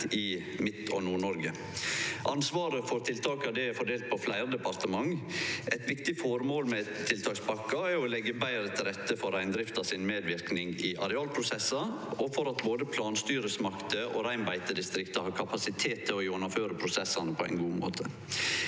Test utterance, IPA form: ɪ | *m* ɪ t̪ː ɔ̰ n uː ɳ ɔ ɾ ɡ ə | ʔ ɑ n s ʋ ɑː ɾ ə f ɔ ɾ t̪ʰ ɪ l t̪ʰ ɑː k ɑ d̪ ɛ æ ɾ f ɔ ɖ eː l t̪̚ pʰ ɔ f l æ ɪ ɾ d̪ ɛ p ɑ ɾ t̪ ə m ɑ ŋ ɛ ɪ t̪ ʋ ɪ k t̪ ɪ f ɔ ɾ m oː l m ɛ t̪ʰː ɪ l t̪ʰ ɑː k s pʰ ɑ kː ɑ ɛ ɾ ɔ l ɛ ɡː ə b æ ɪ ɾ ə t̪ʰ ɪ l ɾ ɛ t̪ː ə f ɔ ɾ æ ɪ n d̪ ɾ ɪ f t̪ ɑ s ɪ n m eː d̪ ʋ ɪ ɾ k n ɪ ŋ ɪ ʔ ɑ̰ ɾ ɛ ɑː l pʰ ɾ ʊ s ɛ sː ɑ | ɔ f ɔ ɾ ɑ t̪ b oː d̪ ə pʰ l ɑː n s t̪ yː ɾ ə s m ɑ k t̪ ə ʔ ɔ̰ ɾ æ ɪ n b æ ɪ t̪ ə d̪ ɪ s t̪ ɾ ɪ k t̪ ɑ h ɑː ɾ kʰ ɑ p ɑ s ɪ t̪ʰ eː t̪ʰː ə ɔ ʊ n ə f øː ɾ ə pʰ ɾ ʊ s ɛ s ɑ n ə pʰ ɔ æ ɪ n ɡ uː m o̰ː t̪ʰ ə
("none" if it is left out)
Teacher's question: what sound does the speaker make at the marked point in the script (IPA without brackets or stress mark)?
m